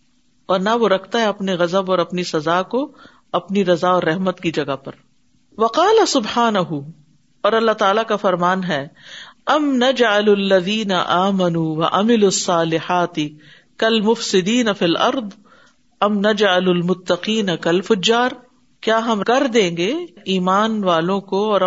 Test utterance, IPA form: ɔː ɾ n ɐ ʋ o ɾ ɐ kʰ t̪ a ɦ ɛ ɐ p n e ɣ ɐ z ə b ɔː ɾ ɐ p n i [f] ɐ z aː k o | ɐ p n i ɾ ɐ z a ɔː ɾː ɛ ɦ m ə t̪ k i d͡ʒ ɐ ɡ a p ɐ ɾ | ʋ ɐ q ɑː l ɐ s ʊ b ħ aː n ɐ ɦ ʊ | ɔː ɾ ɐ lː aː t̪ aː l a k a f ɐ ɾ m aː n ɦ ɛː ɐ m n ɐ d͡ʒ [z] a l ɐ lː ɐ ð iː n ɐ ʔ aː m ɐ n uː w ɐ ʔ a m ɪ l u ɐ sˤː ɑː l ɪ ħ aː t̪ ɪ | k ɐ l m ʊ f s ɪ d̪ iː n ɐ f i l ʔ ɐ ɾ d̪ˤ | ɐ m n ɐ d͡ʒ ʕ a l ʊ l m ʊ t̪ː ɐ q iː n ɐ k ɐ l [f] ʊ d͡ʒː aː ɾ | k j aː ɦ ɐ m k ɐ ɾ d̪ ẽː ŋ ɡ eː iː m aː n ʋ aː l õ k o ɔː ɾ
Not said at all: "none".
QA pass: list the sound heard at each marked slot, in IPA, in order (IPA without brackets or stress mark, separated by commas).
s, ʕ, f